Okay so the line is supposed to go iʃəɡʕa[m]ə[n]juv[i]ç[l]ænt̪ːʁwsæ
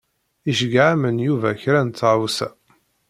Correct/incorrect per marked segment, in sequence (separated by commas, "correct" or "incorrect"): correct, correct, incorrect, incorrect